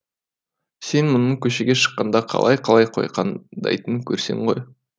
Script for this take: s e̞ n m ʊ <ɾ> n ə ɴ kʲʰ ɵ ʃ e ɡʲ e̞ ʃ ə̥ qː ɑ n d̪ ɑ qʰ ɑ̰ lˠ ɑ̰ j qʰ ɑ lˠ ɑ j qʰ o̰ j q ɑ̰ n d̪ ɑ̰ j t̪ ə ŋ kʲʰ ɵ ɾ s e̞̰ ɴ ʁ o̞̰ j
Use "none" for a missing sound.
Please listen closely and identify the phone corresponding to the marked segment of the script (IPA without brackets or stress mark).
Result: none